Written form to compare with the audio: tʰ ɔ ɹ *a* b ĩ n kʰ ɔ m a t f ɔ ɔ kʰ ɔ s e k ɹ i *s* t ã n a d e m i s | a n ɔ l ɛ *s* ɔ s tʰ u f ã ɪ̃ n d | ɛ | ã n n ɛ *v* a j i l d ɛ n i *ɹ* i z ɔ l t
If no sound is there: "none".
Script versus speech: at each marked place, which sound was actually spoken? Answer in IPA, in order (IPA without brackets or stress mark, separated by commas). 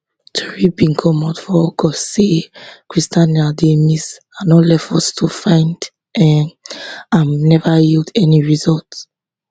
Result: i, s, f, v, ɹ